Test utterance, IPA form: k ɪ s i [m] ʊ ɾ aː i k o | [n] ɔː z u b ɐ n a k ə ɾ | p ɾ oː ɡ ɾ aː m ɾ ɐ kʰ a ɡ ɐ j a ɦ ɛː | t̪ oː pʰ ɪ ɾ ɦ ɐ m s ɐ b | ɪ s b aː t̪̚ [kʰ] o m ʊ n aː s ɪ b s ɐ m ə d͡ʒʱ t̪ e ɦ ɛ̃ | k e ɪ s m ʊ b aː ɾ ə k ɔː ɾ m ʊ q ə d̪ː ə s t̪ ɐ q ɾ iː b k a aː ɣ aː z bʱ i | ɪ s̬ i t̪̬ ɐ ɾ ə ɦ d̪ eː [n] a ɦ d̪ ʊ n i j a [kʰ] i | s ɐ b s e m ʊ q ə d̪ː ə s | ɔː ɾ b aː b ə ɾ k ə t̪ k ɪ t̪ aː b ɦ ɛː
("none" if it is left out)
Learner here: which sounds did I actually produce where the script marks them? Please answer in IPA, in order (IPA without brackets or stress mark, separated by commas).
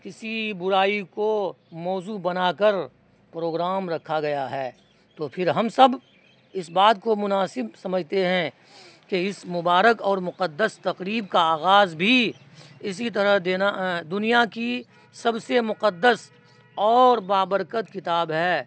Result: b, m, k, n, k